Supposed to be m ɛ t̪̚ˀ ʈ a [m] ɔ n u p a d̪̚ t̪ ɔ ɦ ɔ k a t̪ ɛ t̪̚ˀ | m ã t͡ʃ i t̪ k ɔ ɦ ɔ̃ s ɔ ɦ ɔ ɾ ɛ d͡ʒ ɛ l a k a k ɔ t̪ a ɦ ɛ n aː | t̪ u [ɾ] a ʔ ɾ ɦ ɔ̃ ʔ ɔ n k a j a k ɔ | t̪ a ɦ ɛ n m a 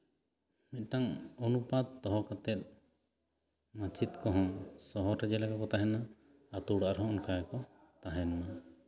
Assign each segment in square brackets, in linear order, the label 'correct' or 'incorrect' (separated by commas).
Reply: incorrect, incorrect